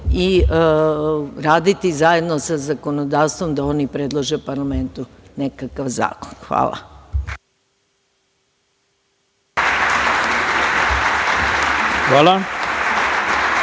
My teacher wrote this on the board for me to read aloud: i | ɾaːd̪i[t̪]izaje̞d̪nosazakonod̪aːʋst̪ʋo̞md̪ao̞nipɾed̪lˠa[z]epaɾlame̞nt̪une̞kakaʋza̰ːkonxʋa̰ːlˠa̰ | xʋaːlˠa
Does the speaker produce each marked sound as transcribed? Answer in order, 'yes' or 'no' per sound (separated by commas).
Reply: yes, no